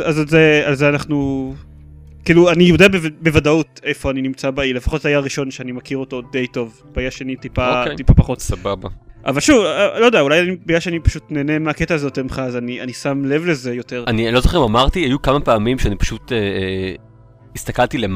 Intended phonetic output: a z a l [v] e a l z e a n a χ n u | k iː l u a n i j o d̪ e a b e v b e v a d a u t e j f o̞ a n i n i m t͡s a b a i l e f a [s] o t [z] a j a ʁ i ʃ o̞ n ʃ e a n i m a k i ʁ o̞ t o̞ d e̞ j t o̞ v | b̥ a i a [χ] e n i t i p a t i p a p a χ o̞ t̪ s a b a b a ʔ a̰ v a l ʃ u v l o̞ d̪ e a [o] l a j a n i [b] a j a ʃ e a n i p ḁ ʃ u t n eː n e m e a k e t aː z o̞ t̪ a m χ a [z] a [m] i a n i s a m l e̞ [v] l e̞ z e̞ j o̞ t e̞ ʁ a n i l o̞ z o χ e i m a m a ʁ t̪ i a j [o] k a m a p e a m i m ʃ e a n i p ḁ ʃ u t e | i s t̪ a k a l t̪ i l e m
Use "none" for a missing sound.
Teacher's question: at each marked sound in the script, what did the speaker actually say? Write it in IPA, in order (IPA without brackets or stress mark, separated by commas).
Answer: z, χ, z, ʃ, u, b, z, n, v, u